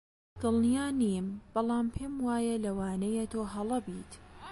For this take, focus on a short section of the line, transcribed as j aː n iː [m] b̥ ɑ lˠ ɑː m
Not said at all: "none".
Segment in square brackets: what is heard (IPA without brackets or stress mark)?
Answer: m